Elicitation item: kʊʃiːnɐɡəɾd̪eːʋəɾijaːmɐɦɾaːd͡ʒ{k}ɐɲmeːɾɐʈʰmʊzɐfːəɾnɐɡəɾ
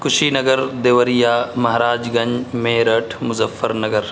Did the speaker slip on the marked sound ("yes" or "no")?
yes